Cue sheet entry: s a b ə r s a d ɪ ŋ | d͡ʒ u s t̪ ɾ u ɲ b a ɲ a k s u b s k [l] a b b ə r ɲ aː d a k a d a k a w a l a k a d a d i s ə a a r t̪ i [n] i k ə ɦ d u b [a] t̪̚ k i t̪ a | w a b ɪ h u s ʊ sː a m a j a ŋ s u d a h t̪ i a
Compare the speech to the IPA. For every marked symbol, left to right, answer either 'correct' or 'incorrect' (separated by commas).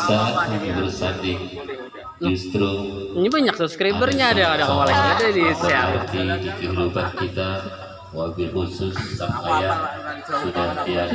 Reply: incorrect, incorrect, correct